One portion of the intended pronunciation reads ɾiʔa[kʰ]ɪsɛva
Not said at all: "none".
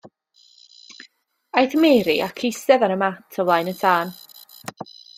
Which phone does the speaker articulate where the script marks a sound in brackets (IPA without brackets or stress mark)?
kʰ